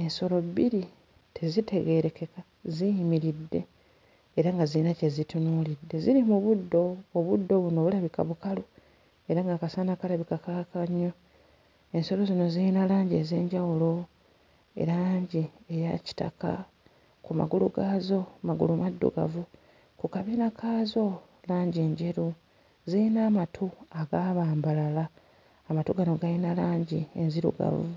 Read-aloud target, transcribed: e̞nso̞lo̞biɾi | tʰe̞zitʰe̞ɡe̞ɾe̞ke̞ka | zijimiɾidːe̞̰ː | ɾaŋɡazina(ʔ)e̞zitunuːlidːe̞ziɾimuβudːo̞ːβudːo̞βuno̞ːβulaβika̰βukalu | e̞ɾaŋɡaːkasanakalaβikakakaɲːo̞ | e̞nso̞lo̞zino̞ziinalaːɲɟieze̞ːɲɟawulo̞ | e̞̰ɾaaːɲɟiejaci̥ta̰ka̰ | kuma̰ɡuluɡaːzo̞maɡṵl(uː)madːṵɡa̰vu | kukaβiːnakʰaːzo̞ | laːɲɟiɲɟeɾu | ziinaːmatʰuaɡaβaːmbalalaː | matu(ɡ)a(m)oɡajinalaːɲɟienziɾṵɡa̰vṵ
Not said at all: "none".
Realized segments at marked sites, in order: c, u, ɡ, n

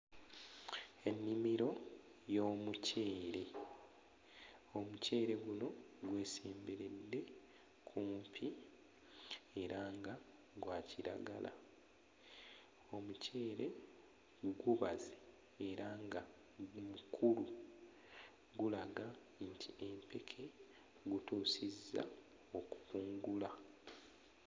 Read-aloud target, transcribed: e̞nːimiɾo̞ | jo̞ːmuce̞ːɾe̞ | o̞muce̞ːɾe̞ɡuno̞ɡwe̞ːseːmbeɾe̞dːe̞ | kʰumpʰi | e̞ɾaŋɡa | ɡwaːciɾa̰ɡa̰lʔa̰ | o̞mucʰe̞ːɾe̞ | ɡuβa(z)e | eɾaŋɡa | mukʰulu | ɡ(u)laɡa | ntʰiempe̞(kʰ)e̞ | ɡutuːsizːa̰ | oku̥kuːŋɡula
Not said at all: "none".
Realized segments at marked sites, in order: z, u, kʰ

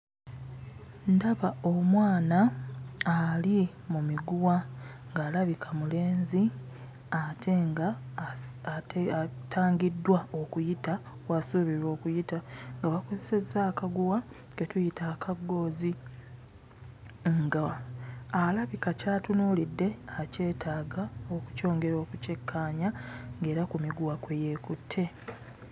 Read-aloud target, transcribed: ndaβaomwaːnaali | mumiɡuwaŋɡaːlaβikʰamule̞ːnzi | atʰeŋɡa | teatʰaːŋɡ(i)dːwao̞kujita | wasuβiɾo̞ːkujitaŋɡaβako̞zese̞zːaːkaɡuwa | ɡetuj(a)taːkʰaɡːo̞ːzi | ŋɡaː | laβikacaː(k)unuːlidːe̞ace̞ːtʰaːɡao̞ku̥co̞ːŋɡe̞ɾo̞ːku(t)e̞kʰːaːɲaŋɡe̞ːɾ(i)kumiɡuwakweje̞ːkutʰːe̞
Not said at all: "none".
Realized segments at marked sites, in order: i, i, t, c, a

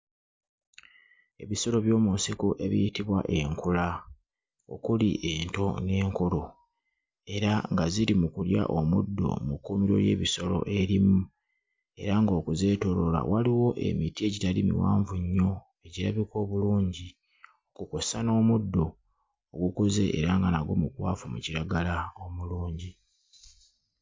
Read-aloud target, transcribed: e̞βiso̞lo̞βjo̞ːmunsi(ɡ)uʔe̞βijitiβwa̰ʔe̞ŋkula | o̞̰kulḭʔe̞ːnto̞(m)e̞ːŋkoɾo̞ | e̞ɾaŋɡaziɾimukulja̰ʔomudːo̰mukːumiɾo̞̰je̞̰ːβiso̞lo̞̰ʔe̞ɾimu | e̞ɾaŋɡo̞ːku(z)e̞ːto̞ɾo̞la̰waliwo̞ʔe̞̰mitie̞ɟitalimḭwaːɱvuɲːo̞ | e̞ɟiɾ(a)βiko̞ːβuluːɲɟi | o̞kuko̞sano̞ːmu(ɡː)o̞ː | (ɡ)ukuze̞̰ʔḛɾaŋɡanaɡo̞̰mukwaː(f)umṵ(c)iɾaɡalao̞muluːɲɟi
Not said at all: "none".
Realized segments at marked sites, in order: k, n, z, a, dː, ɡ, f, c

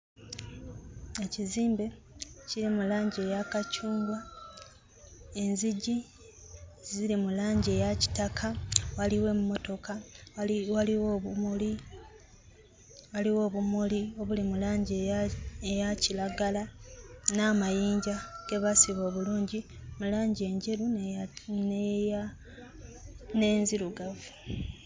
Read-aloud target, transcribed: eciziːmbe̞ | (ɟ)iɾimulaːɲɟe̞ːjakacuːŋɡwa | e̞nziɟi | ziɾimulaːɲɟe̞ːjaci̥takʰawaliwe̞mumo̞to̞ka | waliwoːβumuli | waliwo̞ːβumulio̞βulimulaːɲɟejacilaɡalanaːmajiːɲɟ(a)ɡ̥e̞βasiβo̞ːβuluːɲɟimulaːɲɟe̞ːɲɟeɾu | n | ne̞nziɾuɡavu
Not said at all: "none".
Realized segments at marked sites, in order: c, a

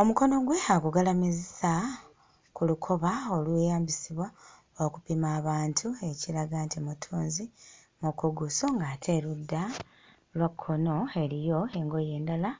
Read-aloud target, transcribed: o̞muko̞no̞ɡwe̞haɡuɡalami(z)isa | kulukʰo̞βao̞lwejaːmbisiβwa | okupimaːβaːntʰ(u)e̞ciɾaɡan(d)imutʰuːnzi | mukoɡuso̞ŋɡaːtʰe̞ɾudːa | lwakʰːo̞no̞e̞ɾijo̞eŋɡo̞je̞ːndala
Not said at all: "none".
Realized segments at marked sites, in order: z, u, t

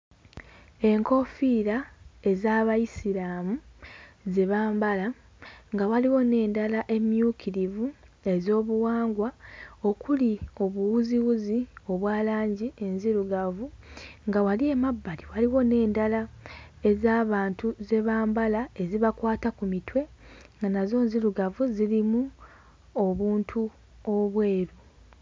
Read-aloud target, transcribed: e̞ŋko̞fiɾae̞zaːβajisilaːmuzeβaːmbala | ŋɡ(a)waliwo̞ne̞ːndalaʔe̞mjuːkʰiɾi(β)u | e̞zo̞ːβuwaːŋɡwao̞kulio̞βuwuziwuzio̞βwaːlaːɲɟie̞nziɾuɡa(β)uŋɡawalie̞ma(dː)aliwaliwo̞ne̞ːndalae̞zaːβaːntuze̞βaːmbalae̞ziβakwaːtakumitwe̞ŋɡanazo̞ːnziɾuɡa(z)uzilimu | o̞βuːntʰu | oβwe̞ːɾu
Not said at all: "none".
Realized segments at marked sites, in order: a, v, v, bː, v

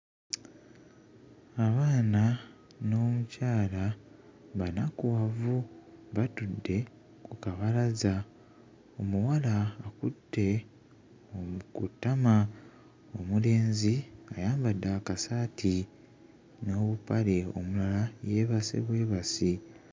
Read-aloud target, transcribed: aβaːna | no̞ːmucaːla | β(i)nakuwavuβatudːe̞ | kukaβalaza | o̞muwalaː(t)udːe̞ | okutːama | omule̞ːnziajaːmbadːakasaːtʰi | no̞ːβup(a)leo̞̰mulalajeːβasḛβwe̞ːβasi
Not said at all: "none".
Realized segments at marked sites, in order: a, k, a

